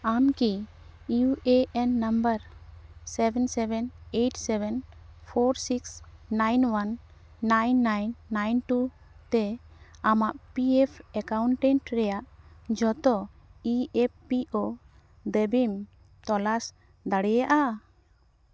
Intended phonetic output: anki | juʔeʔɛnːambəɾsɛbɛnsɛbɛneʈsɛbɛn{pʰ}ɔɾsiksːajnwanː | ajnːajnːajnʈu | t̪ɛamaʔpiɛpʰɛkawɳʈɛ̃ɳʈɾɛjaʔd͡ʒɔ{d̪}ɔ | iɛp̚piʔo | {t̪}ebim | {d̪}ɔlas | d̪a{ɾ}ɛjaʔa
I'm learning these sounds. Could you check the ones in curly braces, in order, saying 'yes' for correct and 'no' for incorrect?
yes, no, no, no, no

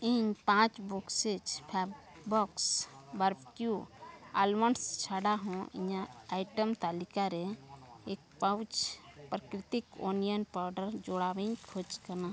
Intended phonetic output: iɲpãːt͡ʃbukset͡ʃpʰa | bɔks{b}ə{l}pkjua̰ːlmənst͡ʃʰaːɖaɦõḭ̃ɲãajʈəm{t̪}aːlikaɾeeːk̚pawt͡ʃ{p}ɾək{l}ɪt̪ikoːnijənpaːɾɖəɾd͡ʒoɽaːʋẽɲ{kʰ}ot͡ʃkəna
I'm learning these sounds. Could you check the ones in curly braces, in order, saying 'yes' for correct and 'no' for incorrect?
yes, no, yes, yes, no, yes

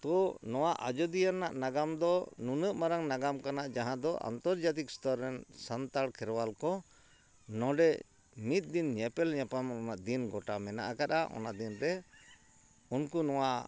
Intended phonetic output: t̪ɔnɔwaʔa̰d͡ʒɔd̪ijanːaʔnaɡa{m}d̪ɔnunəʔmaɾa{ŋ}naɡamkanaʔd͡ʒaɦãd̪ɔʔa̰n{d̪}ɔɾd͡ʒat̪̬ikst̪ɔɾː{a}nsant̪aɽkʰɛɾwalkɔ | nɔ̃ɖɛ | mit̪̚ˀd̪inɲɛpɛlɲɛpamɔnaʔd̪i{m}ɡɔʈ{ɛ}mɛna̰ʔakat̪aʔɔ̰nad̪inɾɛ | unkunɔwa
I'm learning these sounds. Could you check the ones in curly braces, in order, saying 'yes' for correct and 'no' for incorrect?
yes, yes, no, no, no, no

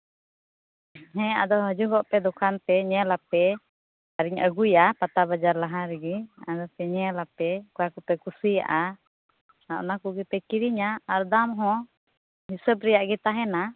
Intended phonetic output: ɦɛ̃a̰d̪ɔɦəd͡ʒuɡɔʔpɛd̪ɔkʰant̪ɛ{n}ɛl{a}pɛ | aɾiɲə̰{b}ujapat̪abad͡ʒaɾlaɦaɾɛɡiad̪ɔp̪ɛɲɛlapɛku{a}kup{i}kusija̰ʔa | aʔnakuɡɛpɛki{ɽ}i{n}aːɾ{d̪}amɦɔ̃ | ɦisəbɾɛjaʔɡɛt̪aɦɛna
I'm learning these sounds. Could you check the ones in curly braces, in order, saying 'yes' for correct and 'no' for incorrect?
no, yes, no, yes, no, no, no, yes

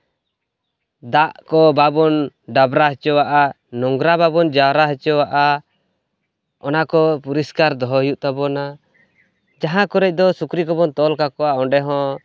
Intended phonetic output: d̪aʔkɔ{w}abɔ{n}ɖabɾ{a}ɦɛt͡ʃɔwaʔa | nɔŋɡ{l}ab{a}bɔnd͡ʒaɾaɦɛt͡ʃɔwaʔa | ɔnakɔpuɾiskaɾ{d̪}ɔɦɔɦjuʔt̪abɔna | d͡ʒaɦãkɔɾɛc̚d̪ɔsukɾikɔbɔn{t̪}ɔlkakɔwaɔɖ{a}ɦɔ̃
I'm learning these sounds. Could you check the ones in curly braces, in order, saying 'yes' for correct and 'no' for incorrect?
no, yes, yes, no, yes, yes, yes, no

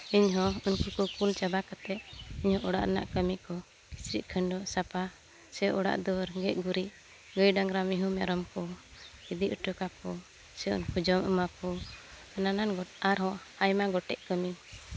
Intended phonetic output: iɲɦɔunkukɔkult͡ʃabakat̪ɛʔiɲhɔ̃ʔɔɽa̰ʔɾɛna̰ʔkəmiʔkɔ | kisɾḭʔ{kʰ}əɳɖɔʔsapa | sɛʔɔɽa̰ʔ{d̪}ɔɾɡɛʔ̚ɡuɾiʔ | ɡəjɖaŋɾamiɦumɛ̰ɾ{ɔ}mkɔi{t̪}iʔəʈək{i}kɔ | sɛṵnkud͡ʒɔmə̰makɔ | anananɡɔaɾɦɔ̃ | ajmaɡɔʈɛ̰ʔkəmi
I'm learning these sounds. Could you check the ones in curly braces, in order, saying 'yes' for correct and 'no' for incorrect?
yes, yes, yes, no, no

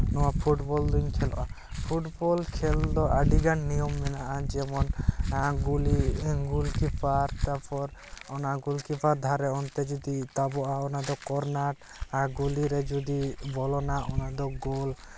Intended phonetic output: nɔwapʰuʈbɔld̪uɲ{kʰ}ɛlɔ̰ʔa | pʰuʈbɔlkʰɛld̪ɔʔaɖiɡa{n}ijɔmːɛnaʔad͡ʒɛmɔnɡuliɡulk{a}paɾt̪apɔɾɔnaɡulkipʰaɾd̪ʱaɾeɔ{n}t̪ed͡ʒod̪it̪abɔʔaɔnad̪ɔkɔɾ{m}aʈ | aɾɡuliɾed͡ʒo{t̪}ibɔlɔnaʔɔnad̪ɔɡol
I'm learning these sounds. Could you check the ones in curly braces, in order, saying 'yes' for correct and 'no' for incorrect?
yes, no, no, yes, no, no

